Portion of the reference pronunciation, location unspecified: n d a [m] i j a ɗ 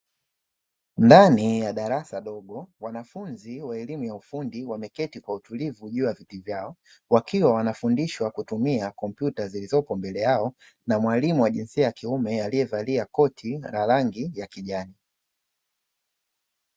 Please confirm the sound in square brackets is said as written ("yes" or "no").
no